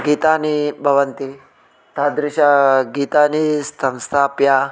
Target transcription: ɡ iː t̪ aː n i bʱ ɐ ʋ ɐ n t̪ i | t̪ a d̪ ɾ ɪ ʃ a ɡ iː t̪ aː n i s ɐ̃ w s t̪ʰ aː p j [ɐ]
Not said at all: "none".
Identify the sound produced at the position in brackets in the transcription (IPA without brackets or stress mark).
a